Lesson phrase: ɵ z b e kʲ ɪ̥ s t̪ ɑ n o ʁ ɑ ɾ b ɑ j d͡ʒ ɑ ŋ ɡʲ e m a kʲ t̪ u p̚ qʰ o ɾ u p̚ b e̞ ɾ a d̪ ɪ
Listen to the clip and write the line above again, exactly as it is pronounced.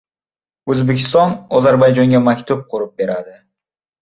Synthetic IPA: ɵ z b e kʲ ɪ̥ s t̪ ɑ n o z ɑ ɾ b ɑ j d͡ʒ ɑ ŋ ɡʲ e m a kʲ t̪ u p̚ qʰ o ɾ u p̚ b e̞ ɾ a d̪ ɪ